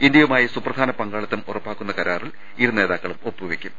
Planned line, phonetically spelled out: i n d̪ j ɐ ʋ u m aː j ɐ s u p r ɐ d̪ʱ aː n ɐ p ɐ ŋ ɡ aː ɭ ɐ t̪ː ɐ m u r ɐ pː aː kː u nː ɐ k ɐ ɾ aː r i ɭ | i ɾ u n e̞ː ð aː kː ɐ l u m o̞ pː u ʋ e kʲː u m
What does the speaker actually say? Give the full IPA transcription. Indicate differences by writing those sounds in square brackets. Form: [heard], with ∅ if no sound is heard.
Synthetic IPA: i n d̪ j ɐ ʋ u m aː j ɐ s u p r ɐ d̪ʱ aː n ɐ p ɐ ŋ ɡ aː ɭ ɐ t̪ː ɐ m u r ɐ pː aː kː u nː ɐ k ɐ ɾ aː r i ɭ | i ɾ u n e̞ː ð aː kː ɐ [ɭ] u m o̞ pː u ʋ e kʲː u m